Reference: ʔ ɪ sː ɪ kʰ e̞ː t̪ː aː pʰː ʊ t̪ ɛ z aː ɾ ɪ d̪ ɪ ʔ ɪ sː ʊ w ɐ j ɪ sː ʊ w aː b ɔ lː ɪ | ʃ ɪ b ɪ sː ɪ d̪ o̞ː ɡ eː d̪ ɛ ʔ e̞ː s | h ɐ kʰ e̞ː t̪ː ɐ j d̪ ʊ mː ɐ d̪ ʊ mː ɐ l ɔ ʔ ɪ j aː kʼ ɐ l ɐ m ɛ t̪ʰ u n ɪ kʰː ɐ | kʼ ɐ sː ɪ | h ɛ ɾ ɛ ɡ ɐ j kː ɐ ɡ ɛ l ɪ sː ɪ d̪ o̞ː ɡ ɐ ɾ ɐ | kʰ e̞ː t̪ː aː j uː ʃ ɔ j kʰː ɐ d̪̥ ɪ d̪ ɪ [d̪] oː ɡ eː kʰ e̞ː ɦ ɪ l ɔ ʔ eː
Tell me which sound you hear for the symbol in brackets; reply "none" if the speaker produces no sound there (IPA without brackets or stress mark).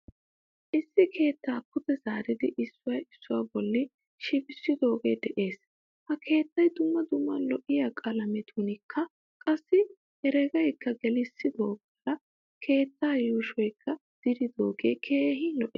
d̪